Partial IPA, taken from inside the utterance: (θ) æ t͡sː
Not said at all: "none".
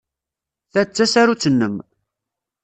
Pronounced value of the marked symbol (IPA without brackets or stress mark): θ